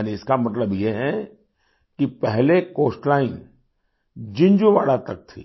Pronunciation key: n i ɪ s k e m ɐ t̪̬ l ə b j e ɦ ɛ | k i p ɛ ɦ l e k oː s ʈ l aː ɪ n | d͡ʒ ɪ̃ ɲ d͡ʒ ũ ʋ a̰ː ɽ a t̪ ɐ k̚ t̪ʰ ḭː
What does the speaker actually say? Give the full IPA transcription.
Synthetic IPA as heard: n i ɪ s k a m ɐ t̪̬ l ə b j e ɦ ɛ | k i p ɛ ɦ l e k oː s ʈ l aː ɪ n | d͡ʒ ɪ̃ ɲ d͡ʒ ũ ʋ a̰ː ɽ a t̪ ɐ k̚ t̪ʰ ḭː